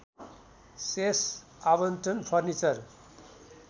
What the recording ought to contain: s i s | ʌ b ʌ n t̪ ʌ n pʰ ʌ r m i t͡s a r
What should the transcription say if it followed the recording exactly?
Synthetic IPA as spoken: s e s | a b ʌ n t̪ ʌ n pʰ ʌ r n i t͡s ʌ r

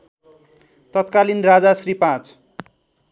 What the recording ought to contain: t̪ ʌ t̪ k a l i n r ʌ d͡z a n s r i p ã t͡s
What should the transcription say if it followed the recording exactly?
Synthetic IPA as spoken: t̪ ʌ t̪ k a l i n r a d͡z a s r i p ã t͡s

